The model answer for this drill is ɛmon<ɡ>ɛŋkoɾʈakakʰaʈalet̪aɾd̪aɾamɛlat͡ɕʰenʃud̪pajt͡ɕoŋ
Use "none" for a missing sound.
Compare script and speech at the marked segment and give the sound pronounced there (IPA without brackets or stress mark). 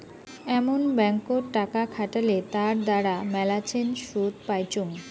b